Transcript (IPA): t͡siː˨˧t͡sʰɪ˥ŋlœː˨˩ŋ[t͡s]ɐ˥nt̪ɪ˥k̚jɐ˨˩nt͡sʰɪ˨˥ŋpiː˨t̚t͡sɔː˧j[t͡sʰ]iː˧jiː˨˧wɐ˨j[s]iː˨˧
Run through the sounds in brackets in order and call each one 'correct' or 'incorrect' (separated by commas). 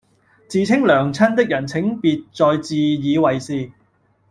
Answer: incorrect, incorrect, correct